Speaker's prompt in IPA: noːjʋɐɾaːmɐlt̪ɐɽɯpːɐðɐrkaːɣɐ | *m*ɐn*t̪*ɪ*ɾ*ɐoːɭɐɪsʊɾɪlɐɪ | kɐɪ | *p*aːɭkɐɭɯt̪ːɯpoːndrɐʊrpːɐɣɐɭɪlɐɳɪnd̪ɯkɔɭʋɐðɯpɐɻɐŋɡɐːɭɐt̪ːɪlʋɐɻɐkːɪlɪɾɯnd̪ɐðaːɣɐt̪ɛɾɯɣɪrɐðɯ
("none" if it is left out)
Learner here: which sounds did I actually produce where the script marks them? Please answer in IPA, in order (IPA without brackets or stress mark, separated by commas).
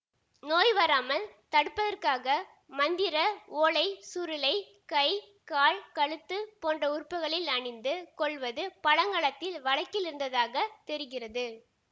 m, d̪, ɾ, k